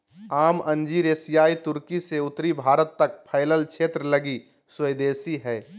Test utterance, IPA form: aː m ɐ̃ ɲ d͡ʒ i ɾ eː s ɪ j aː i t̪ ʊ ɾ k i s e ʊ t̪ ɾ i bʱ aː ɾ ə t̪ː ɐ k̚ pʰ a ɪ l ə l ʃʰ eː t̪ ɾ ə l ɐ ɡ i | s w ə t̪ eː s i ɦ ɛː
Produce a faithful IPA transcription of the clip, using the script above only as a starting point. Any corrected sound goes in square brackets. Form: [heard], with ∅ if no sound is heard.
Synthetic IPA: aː m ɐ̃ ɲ d͡ʒ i ɾ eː s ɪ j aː i t̪ ʊ ɾ k i s e ʊ t̪ ɾ i bʱ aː ɾ ə t̪ː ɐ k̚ pʰ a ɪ l ə l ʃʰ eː t̪ ɾ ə l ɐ ɡ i | s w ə [d̪] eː s i ɦ ɛː

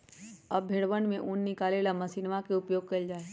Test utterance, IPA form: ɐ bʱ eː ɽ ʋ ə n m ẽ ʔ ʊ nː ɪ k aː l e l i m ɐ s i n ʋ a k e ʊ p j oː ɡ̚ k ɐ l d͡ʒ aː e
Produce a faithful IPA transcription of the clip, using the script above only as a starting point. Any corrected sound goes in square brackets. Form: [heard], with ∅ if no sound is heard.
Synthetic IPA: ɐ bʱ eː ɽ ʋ ə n m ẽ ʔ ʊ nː ɪ k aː l e l [a] m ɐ s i n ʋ a k e ʊ p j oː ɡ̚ k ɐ l d͡ʒ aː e

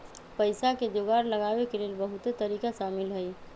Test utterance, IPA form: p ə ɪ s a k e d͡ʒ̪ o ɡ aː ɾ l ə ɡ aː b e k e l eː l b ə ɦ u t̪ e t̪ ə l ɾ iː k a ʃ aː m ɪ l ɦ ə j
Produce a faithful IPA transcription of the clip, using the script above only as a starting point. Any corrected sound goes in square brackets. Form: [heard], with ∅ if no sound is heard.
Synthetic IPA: p ə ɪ s a k e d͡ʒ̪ o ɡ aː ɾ l ə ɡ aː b e k e l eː l b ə ɦ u t̪ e t̪ ə [∅] ɾ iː k a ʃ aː m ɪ l ɦ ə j

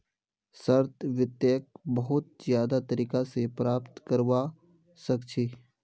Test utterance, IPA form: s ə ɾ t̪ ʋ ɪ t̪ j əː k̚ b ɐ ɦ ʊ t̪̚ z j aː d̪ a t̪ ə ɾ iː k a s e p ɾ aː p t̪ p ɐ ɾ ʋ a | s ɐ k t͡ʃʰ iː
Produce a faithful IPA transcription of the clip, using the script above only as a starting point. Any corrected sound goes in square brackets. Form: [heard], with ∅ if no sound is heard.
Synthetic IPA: s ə ɾ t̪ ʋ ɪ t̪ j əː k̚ b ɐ ɦ ʊ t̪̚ z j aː d̪ a t̪ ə ɾ iː k a s e p ɾ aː p t̪ [k] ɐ ɾ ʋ a | s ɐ k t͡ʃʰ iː

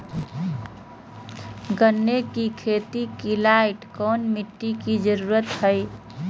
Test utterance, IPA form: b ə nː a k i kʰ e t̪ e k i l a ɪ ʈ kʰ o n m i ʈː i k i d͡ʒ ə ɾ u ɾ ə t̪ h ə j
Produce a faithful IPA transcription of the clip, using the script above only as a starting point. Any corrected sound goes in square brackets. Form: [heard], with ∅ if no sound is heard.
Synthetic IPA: [ɡ] ə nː [e] k i kʰ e t̪ [i] k i l a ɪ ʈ [k] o n m i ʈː i k i d͡ʒ ə ɾ u ɾ ə t̪ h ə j

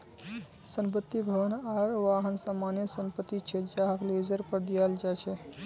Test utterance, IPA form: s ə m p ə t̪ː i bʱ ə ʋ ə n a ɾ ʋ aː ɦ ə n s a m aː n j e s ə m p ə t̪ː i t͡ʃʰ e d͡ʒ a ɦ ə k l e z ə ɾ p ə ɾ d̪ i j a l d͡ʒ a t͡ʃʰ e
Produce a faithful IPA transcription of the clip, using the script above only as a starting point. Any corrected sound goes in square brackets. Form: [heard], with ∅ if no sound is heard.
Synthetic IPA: s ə m p ə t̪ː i bʱ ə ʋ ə n a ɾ ʋ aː ɦ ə n s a m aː n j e s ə m p ə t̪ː i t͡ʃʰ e d͡ʒ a ɦ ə k l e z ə ɾ p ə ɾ d̪ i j a l d͡ʒ a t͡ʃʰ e

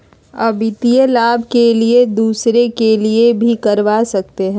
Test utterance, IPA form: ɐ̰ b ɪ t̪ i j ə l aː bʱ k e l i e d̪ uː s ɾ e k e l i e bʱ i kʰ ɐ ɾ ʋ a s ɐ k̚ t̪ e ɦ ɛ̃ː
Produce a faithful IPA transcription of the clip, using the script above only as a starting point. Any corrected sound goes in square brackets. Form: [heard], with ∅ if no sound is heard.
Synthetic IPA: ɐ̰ b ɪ t̪ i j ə l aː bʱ k e l i e d̪ uː s ɾ e k e l i e bʱ i [k] ɐ ɾ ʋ a s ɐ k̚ t̪ e ɦ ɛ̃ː

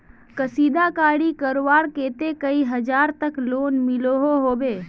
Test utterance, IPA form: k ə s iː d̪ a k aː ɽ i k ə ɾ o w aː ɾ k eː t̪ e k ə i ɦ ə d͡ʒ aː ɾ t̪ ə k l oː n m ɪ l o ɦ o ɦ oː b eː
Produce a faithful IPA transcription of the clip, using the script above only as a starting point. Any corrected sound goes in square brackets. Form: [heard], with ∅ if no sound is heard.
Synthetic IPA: k ə s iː d̪ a k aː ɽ i k ə ɾ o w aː ɾ k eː t̪ e k ə i ɦ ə d͡ʒ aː ɾ t̪ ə k l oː n m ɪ l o ɦ o ɦ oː b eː

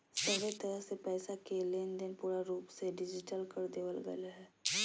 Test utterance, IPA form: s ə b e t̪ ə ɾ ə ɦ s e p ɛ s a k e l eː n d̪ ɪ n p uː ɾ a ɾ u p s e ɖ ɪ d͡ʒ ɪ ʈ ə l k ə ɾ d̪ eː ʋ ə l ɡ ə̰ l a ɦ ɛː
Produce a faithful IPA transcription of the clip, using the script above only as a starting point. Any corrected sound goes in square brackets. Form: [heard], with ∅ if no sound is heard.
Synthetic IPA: s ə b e t̪ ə ɾ ə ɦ s e p [ɛː] s a k e l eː n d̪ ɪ n p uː ɾ a ɾ [uː] p s e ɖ ɪ d͡ʒ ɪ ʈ ə l k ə ɾ d̪ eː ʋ ə l ɡ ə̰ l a ɦ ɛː

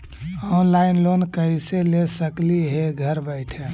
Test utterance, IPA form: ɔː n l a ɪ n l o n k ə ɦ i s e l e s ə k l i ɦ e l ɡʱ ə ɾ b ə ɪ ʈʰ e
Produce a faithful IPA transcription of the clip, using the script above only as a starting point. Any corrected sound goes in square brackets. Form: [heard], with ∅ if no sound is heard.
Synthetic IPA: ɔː n l a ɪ n l o n k ə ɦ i s e l e s ə k l i ɦ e [∅] ɡʱ ə ɾ b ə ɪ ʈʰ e

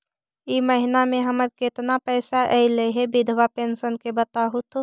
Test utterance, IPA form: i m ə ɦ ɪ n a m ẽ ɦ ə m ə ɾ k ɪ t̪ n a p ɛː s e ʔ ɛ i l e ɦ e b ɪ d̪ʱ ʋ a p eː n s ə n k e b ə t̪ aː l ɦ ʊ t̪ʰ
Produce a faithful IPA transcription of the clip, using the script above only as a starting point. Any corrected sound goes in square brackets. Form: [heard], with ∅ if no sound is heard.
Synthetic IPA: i m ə ɦ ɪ n a m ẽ ɦ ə m ə ɾ k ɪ t̪ n a p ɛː s [a] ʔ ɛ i l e ɦ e b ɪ d̪ʱ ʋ a p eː n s ə n k e b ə t̪ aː [∅] ɦ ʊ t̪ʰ

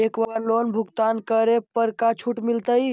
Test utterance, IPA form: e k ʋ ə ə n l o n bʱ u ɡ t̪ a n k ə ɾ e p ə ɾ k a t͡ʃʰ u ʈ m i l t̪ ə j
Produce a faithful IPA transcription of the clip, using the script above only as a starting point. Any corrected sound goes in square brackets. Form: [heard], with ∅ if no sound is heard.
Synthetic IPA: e k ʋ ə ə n l o n bʱ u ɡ t̪ a n k ə ɾ e p ə ɾ k a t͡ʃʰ u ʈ m i l t̪ ə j

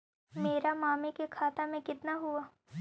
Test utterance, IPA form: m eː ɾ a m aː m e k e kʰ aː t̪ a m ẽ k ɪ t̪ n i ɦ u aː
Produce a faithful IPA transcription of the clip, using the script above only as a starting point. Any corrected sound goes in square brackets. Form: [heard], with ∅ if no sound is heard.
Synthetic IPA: m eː ɾ a m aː m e k e kʰ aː t̪ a m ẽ k ɪ t̪ n [a] ɦ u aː

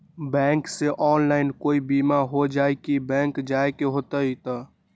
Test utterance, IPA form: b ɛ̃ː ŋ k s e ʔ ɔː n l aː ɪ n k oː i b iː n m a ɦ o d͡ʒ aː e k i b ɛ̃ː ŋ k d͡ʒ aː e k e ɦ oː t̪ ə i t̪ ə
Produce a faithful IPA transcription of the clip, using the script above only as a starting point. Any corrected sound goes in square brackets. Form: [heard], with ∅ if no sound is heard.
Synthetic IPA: b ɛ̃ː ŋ k s e ʔ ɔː n l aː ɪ n k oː i b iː [∅] m a ɦ o d͡ʒ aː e k i b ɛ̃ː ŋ k d͡ʒ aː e k e ɦ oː t̪ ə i t̪ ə

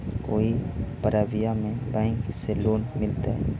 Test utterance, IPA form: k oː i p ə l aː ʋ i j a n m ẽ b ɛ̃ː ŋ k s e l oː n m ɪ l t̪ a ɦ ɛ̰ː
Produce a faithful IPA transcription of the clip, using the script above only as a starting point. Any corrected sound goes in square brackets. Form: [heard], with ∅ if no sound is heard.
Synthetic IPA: k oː i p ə [ɾ] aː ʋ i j a [∅] m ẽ b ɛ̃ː ŋ k s e l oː n m ɪ l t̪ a ɦ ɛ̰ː

